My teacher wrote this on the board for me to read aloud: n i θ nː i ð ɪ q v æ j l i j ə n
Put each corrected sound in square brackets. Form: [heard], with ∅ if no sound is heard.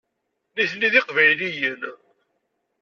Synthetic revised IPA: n i θ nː i ð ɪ q v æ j l i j ə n